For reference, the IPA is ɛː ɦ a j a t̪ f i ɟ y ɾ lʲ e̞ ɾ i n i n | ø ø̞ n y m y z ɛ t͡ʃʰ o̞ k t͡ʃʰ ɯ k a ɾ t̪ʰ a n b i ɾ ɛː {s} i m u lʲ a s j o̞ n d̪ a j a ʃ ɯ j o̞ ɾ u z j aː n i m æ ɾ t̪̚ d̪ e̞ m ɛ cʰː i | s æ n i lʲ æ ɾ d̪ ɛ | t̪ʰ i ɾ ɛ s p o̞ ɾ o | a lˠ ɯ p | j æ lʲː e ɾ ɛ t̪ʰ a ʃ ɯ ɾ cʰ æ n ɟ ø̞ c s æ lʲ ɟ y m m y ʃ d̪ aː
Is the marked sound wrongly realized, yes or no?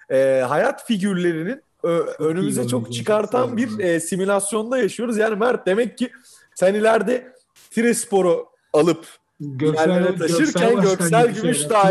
no